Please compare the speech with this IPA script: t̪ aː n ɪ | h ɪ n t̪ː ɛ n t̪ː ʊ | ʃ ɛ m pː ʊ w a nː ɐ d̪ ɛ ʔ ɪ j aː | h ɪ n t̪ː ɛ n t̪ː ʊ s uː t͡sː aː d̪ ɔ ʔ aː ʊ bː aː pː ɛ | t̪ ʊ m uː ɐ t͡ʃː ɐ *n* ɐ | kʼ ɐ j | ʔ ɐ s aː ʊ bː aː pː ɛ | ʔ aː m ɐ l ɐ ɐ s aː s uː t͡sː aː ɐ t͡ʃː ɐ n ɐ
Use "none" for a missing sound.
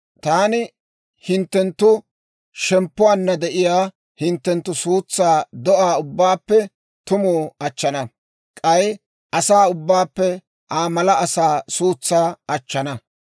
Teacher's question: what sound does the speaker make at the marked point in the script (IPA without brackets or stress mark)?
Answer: n